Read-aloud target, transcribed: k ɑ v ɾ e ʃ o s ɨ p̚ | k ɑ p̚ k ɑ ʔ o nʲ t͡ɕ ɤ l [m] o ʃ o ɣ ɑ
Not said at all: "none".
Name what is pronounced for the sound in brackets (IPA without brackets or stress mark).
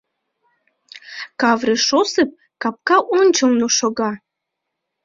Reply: n